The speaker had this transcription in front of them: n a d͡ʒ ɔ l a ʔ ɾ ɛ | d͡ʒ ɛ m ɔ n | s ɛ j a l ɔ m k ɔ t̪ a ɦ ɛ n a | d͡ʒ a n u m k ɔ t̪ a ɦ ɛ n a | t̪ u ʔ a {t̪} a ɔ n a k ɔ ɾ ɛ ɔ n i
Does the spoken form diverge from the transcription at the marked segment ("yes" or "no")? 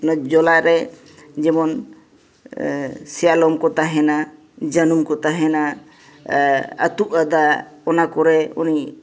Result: yes